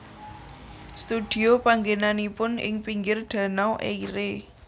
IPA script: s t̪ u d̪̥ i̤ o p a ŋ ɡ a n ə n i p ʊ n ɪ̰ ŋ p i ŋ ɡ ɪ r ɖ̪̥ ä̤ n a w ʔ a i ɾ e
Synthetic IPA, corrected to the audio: s t̪ u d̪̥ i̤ o p a ŋ ɡ e n a n i p ʊ n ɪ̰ ŋ p i ŋ ɡ ɪ r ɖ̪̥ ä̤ n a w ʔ e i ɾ e